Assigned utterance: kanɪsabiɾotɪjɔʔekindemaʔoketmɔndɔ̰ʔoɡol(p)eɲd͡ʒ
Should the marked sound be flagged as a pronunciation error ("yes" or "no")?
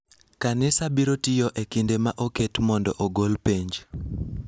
no